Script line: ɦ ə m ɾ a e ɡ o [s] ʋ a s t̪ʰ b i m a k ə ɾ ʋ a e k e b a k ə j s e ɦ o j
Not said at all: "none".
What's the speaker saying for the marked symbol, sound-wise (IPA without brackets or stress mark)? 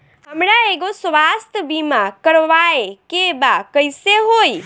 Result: s